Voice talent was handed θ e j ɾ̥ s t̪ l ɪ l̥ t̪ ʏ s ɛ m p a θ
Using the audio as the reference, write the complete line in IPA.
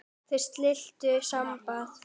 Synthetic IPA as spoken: θ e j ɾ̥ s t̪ l ɪ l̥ t̪ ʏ s a m p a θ